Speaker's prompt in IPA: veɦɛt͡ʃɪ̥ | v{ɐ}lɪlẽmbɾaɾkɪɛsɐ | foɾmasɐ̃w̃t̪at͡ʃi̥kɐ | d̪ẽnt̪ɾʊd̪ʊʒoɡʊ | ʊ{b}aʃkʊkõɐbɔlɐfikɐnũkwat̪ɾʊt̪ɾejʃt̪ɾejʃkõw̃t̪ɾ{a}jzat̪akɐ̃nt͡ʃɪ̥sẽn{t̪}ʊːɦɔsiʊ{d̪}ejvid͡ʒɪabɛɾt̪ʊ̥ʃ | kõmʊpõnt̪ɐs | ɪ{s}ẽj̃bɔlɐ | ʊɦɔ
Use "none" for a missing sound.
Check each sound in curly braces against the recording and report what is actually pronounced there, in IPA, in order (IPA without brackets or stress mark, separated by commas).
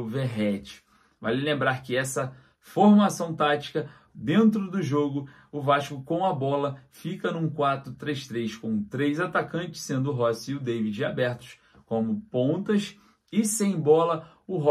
a, v, e, d̪, d̪, s